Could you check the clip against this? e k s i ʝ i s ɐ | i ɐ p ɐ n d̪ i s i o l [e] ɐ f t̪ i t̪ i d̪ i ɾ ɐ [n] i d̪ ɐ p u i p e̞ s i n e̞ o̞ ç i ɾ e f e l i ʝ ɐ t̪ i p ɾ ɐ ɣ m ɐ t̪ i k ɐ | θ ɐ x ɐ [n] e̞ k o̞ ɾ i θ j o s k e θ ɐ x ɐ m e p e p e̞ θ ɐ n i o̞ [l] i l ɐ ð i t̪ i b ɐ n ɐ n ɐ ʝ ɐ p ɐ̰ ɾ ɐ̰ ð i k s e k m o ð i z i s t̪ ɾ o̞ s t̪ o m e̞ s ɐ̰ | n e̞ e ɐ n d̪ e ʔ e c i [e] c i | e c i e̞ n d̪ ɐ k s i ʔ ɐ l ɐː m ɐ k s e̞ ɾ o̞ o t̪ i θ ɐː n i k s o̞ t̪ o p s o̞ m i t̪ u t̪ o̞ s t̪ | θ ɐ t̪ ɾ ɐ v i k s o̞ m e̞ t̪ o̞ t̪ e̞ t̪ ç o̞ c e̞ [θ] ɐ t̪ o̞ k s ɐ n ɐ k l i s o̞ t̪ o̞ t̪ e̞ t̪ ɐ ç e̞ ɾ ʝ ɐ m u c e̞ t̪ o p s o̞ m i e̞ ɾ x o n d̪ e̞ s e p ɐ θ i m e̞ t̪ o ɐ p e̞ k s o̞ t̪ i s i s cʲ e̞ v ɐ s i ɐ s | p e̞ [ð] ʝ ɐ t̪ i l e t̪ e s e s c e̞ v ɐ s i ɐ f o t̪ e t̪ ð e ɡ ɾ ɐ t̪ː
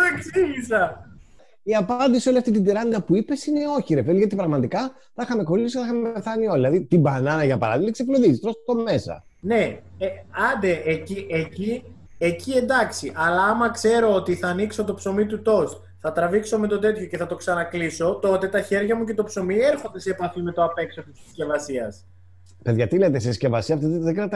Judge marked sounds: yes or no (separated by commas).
no, yes, no, yes, yes, yes, yes